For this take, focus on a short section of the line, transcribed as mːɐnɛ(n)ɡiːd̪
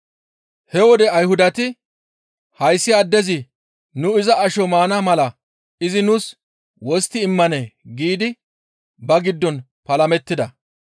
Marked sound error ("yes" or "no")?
yes